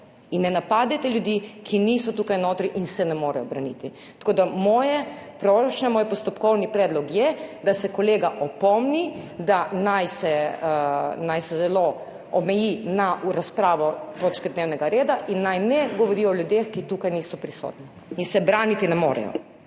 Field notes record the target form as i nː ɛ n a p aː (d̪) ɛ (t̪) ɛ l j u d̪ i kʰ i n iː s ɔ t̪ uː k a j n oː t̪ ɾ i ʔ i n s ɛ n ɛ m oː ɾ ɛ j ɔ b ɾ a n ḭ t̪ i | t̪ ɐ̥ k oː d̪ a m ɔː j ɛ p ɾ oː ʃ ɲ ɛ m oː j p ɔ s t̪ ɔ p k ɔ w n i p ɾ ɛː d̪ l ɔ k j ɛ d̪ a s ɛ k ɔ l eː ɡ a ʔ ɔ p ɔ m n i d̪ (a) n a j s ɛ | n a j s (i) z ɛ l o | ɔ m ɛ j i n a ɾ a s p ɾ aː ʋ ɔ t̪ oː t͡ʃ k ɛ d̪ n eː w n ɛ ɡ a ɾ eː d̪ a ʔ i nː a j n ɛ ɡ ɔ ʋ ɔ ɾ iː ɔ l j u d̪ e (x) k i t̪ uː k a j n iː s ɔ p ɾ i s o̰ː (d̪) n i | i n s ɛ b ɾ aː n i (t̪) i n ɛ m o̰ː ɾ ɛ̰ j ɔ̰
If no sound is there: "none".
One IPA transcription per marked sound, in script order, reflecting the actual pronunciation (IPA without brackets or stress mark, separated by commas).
d̪, t̪, a, ɛ, x, t̪, t̪